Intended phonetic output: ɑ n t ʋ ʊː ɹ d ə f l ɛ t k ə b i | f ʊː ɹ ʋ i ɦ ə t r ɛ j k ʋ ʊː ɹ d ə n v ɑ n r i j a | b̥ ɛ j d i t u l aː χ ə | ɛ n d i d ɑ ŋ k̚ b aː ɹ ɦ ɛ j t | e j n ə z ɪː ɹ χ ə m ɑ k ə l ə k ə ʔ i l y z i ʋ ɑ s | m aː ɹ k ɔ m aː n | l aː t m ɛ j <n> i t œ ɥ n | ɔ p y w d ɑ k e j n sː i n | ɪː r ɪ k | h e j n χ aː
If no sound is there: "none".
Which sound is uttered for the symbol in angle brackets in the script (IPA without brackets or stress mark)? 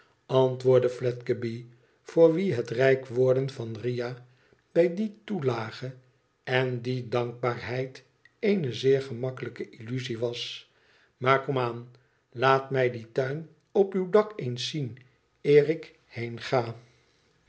d